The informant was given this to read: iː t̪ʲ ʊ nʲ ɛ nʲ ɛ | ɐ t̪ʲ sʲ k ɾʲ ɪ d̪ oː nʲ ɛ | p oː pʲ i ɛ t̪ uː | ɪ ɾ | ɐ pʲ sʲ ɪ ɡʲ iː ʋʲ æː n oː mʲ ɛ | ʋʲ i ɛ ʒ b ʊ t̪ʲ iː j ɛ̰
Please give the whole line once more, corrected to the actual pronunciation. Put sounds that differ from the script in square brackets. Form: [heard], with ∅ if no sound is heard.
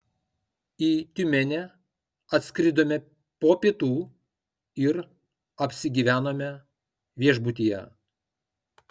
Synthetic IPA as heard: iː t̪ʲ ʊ [mʲ] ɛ nʲ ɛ | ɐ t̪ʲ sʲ k ɾʲ ɪ d̪ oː [mʲ] ɛ | p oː pʲ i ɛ t̪ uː | ɪ ɾ | ɐ pʲ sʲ ɪ ɡʲ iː ʋʲ æː n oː mʲ ɛ | ʋʲ i ɛ ʒ b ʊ t̪ʲ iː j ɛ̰